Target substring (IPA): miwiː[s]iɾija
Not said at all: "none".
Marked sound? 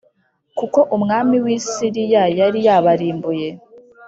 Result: s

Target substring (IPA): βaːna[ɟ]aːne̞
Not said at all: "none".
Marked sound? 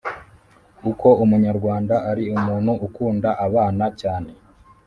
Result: c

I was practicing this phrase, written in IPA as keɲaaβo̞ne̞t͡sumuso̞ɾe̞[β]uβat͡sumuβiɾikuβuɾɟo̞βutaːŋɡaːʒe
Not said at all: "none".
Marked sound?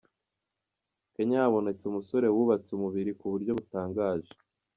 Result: w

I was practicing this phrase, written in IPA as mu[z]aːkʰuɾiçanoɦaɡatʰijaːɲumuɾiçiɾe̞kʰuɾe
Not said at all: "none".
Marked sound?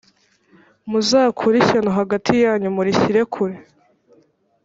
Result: z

